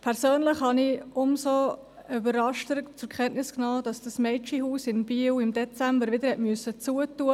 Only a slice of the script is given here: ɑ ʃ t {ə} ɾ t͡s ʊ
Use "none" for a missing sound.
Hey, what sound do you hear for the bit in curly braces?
ə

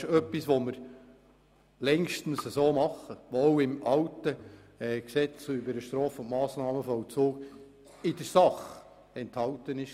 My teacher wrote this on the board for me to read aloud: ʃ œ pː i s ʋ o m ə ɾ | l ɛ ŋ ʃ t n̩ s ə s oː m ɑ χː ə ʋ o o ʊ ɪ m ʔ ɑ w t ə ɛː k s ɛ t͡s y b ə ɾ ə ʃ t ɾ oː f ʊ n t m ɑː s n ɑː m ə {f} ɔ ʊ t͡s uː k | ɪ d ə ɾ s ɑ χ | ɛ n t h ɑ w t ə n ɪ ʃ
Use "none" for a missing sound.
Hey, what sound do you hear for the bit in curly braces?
f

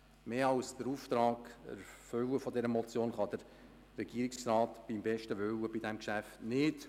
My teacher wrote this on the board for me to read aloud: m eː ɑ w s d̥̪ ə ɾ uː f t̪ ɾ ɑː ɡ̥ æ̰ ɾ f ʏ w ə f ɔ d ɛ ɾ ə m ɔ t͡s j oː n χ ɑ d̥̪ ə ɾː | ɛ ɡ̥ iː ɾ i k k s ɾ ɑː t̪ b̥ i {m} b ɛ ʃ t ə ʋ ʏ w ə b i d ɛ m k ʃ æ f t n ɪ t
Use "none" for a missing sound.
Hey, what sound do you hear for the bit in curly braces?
m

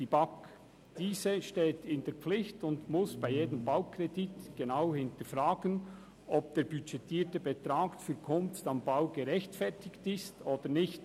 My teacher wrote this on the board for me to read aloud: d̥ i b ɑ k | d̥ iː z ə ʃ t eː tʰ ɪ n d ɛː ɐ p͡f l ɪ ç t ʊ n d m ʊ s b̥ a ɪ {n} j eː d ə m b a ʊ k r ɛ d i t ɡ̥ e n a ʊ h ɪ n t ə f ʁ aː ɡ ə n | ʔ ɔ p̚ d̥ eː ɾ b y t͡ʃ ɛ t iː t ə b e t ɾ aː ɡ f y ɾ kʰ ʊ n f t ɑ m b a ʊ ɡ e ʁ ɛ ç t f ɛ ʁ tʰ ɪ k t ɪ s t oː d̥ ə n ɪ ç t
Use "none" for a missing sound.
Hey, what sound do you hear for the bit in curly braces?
none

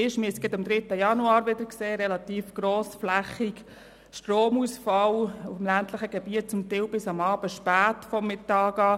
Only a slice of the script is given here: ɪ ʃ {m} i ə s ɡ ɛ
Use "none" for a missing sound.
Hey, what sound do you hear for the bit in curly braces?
m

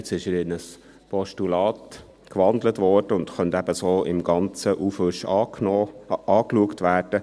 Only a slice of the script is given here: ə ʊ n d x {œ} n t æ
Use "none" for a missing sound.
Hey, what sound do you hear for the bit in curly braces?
œ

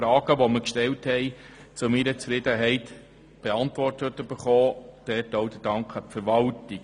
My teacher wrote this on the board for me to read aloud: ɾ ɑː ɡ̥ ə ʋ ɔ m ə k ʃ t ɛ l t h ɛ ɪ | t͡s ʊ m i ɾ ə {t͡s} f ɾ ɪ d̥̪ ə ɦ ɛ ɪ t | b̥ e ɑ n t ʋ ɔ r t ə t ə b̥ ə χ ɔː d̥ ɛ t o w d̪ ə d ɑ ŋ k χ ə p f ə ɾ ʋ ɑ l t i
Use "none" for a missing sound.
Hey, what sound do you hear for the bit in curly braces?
t͡s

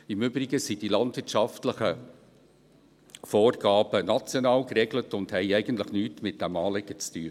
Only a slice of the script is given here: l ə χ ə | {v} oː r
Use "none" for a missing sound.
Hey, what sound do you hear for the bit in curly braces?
f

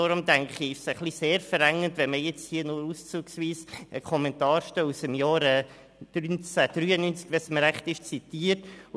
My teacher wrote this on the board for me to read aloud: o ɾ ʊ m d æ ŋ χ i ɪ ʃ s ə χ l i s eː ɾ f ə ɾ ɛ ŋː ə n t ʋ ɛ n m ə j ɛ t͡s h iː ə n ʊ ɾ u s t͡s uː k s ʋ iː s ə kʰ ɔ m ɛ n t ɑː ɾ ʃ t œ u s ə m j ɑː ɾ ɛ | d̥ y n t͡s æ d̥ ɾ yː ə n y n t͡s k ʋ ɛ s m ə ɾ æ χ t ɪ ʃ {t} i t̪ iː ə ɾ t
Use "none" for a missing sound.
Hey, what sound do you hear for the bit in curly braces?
t͡s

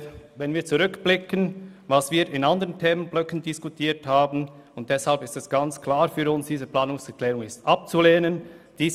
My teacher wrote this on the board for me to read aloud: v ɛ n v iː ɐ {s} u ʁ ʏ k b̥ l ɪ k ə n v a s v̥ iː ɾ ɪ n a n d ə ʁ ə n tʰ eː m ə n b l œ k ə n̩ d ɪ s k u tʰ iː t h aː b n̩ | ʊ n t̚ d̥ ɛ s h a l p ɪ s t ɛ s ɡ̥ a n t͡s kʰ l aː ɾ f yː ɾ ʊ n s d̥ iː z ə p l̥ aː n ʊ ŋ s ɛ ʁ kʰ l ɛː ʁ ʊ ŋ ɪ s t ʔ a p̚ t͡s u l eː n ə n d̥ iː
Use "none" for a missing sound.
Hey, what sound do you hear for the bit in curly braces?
t͡s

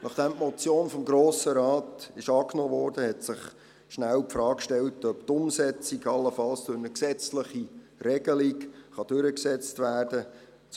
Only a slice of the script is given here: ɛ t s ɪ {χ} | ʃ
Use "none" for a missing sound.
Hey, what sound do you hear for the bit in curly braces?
χ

